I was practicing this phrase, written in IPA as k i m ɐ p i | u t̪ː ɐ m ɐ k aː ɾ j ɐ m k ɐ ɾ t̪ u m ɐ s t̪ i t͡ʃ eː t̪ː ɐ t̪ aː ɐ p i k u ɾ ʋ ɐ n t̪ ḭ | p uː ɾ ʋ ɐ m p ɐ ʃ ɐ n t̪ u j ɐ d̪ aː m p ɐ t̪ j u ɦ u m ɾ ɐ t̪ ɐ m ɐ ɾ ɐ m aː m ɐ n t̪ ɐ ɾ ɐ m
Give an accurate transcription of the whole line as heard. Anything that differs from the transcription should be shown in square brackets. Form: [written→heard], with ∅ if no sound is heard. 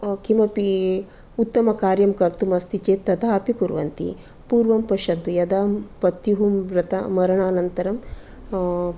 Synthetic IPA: k i m ɐ p i | u t̪ː ɐ m ɐ k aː ɾ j ɐ m k ɐ ɾ t̪ u m ɐ s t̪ i t͡ʃ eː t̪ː ɐ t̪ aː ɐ p i k u ɾ ʋ ɐ n t̪ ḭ | p uː ɾ ʋ ɐ m p ɐ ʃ ɐ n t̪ u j ɐ d̪ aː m p ɐ t̪ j u ɦ u m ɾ ɐ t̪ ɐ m ɐ ɾ ɐ [m→ɳ] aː [m→n] ɐ n t̪ ɐ ɾ ɐ m